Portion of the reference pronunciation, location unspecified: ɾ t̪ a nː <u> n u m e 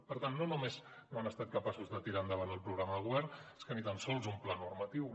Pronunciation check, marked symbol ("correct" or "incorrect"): incorrect